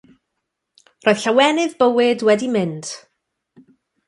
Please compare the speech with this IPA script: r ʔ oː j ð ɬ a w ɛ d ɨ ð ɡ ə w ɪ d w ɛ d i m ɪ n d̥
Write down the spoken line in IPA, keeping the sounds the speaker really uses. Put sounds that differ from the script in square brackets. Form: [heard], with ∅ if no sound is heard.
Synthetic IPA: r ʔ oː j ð ɬ a w ɛ [n] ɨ ð [b] ə w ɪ d w ɛ d i m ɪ n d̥